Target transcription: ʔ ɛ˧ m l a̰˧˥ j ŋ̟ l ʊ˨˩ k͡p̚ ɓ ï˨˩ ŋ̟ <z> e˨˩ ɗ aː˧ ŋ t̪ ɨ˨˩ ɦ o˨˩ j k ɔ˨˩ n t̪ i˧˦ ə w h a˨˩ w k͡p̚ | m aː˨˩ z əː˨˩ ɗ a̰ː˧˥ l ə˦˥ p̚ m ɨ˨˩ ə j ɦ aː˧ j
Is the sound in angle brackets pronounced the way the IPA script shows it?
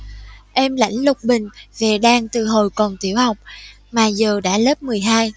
no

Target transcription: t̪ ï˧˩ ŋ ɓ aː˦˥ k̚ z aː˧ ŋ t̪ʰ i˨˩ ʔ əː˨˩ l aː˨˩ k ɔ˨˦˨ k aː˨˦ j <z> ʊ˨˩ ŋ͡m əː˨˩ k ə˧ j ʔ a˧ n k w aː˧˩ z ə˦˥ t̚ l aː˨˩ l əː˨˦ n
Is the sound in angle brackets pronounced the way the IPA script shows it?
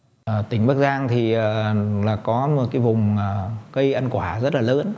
no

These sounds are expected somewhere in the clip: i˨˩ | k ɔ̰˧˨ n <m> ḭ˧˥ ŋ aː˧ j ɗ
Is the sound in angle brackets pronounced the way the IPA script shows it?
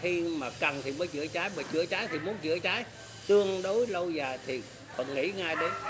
no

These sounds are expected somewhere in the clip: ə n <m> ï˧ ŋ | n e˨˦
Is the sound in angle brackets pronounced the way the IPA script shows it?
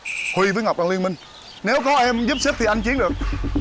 yes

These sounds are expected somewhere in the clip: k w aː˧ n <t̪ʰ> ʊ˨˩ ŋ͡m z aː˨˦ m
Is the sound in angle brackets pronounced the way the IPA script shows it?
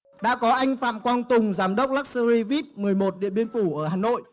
no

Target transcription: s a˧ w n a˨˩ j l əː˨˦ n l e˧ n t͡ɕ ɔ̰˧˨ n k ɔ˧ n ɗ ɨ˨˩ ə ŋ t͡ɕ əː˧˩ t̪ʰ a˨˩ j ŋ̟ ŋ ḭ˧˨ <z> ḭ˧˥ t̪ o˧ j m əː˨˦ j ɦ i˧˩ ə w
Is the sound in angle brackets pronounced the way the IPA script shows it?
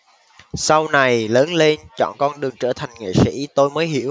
no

